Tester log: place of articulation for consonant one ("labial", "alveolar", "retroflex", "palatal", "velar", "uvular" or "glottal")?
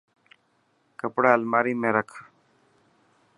velar